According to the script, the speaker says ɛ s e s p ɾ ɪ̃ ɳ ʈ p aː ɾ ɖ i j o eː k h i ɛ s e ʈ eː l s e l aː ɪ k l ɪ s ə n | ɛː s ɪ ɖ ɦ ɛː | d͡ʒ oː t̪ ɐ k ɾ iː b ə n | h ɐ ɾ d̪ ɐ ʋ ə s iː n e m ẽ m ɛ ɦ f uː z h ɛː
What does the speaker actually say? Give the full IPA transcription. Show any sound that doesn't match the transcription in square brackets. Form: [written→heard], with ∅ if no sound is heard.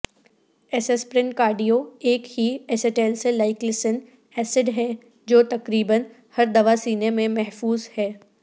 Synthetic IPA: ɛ s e s p ɾ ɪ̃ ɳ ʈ [p→k] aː ɾ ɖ i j o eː k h i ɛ s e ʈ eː l s e l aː ɪ k l ɪ s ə n | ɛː s ɪ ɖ ɦ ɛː | d͡ʒ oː t̪ ɐ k ɾ iː b ə n | h ɐ ɾ d̪ ɐ ʋ [ə→a] s iː n e m ẽ m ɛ ɦ f uː z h ɛː